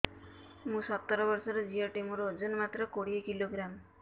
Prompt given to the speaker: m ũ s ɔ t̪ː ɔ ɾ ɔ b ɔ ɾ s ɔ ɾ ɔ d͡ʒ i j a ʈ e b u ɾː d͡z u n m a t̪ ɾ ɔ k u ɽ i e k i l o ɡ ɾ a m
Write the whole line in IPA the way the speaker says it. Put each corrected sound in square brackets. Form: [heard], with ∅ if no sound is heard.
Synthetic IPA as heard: m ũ s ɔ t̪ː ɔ ɾ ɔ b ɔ ɾ s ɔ ɾ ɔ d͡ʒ i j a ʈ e [m] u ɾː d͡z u n m a t̪ ɾ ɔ k [o] ɽ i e k i l o ɡ ɾ a m

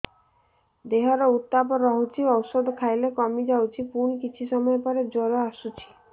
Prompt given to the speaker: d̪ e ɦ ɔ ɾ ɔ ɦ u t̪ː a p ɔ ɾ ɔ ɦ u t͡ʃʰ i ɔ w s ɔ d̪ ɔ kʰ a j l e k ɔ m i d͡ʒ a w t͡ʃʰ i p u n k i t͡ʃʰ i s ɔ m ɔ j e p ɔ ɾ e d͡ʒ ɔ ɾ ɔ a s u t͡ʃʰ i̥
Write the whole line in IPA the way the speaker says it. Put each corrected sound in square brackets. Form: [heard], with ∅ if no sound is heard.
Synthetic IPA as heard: d̪ e ɦ ɔ ɾ ɔ [∅] u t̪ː a p ɔ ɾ ɔ ɦ u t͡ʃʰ i ɔ w s ɔ d̪ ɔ kʰ a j l e k ɔ m i d͡ʒ a w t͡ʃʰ i p u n k i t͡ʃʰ i s ɔ m ɔ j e p ɔ ɾ e d͡ʒ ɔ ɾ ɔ a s u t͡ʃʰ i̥

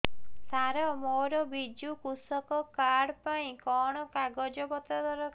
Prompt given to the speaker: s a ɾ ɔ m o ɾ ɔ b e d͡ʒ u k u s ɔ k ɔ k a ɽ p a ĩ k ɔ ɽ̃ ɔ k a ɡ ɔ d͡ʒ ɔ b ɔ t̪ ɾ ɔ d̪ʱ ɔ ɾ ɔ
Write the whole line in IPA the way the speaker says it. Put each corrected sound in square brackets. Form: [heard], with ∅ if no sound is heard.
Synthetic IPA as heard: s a ɾ ɔ m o ɾ ɔ b [i] d͡ʒ u k u s ɔ k ɔ k a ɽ p a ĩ k ɔ ɽ̃ ɔ k a ɡ ɔ d͡ʒ ɔ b ɔ t̪ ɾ ɔ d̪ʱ ɔ ɾ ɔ

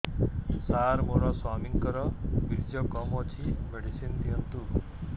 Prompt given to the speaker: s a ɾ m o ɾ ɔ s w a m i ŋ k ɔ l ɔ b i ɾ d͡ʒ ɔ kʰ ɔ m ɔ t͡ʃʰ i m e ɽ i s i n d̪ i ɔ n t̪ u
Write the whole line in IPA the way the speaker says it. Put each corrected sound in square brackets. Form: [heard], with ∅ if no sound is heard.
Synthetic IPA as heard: s a ɾ m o ɾ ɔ s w a m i ŋ k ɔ [ɾ] ɔ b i ɾ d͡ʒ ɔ [k] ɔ m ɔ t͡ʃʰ i m e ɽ i s i n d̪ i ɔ n t̪ u

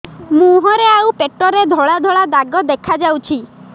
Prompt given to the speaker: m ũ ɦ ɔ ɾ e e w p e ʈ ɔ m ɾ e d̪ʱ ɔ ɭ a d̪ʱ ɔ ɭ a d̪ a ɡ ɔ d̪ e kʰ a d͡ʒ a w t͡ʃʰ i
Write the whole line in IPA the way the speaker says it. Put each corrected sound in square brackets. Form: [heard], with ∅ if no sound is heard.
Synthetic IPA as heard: m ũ ɦ ɔ ɾ e [a] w p e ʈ ɔ [∅] ɾ e d̪ʱ ɔ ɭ a d̪ʱ ɔ ɭ a d̪ a ɡ ɔ d̪ e kʰ a d͡ʒ a w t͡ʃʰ i

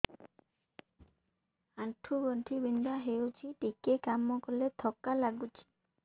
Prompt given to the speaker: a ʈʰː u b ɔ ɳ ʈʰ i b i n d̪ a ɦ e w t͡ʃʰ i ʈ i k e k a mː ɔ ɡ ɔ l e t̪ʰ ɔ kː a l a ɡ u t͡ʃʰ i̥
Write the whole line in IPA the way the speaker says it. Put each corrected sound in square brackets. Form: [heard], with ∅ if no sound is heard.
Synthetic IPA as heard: a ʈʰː u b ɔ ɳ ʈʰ i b i n d̪ a ɦ e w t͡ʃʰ i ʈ i k e k a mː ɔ [k] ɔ l e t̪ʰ ɔ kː a l a ɡ u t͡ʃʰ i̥

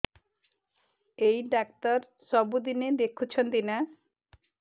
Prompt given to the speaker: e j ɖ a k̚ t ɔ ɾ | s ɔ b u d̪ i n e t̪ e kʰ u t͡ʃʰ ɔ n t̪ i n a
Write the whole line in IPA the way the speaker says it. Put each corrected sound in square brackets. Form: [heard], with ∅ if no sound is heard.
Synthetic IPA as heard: e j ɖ a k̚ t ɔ ɾ | s ɔ b u d̪ i n e [d̪] e kʰ u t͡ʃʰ ɔ n t̪ i n a

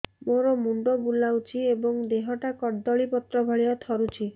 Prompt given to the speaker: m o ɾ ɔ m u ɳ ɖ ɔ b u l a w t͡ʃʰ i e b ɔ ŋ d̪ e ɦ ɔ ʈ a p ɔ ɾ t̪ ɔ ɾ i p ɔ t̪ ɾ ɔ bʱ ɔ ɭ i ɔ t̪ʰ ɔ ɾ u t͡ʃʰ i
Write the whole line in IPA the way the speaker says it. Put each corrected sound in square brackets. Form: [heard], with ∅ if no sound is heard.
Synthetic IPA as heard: m o ɾ ɔ m u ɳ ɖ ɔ b u l a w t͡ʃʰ i e b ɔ ŋ d̪ e ɦ ɔ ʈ a [k] ɔ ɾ [d̪] ɔ [ɭ] i p ɔ t̪ ɾ ɔ bʱ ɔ ɭ i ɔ t̪ʰ ɔ ɾ u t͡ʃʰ i

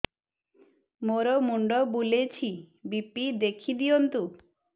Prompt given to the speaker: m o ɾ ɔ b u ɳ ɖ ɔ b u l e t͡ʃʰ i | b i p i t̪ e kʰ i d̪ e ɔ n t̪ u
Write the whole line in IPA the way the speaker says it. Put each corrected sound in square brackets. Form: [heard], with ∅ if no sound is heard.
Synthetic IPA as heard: m o ɾ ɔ [m] u ɳ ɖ ɔ b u l e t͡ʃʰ i | b i p i [d̪] e kʰ i d̪ [i] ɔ n t̪ u

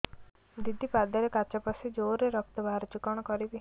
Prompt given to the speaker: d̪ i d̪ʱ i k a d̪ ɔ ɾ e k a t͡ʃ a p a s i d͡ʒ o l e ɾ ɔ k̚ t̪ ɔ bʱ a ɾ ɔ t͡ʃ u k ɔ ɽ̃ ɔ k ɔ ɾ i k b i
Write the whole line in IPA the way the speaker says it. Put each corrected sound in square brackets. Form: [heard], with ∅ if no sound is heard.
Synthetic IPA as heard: d̪ i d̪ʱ i [p] a d̪ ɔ ɾ e k a t͡ʃ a p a s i d͡ʒ o [ɾ] e ɾ ɔ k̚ t̪ ɔ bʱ a ɾ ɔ t͡ʃ u k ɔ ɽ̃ ɔ k ɔ ɾ i [∅] b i

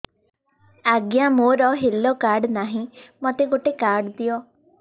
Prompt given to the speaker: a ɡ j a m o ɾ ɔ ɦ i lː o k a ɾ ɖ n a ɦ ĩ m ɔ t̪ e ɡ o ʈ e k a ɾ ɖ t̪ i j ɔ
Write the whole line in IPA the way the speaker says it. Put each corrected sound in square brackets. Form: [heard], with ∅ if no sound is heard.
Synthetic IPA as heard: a ɡ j a m o ɾ ɔ ɦ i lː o k a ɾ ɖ n a ɦ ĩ m ɔ t̪ e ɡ o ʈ e k a ɾ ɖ [d̪] i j ɔ

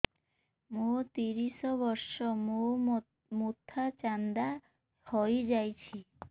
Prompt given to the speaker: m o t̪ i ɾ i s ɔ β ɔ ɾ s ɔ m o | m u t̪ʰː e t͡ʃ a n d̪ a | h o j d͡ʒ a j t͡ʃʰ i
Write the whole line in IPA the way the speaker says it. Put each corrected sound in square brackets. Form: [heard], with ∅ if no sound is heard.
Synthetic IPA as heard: m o t̪ i ɾ i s ɔ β ɔ ɾ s ɔ m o | m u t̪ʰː [a] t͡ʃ a n d̪ a | h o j d͡ʒ a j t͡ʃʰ i

